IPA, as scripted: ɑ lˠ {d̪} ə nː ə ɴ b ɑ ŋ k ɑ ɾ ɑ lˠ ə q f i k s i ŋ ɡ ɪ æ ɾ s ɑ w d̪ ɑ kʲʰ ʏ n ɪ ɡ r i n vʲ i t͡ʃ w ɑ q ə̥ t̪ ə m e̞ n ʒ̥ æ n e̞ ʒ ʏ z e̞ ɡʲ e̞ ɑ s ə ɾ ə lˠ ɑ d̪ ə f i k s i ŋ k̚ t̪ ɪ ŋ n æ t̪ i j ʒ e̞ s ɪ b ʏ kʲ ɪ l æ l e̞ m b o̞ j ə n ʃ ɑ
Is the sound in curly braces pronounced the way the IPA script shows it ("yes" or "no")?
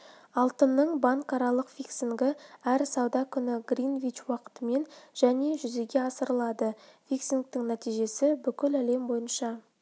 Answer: no